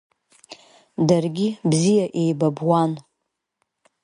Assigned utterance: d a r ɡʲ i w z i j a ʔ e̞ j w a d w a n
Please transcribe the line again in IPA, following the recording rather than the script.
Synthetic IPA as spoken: d a r ɡʲ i b z i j a ʔ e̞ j b a b w a n